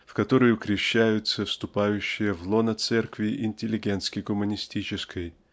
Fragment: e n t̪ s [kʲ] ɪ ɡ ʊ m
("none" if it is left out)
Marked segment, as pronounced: kʲ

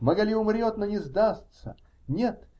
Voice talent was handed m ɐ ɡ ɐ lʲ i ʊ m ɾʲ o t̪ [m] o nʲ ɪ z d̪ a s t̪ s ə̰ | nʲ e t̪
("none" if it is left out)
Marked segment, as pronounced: n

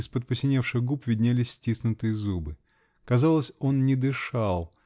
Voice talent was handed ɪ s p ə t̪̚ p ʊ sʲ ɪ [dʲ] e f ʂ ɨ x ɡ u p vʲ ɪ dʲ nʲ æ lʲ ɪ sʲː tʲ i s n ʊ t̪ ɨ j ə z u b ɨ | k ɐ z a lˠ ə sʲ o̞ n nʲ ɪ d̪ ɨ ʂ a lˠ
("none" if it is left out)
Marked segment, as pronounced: nʲ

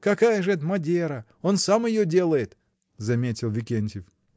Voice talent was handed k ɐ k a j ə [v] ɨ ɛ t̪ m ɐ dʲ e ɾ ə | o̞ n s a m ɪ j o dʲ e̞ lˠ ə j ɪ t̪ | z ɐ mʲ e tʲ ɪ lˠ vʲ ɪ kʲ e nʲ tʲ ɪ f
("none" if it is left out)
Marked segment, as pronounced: ʐ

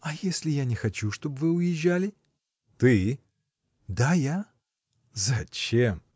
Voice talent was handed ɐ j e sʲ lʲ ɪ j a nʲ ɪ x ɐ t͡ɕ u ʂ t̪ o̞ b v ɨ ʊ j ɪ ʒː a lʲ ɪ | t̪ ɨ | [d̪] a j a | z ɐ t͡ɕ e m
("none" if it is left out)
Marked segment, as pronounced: d̪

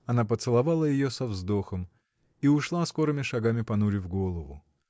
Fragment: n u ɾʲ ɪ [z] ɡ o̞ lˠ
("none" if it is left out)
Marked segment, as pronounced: v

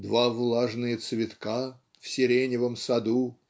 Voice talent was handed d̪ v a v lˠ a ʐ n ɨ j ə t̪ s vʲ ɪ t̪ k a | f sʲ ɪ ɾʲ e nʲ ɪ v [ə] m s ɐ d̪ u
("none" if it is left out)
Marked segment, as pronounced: ə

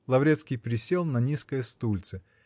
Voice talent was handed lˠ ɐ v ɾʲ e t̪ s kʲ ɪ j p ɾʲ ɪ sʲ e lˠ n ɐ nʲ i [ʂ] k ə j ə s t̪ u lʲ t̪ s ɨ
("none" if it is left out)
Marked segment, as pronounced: s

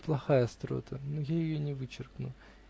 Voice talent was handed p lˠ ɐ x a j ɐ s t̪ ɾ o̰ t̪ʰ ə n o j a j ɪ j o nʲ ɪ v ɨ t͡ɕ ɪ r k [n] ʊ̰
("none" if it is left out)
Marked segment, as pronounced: n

